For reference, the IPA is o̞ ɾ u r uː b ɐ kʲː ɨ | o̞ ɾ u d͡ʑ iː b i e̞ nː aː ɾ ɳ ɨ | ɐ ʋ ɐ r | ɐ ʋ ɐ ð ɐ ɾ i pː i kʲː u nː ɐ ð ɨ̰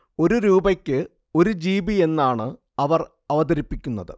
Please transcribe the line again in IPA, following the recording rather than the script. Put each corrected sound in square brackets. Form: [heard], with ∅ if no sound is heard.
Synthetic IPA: o̞ ɾ u [ɾ] uː b ɐ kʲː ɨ | o̞ ɾ u d͡ʑ iː b i e̞ nː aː [∅] ɳ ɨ | ɐ ʋ ɐ r | ɐ ʋ ɐ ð ɐ ɾ i pː i kʲː u nː ɐ ð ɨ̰